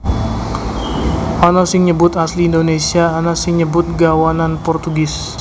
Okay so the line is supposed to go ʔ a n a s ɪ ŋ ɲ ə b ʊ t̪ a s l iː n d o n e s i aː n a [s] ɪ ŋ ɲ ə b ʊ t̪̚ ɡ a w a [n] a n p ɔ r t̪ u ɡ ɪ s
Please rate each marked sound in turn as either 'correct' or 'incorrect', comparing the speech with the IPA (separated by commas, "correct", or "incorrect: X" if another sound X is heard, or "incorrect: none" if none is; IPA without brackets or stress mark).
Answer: correct, correct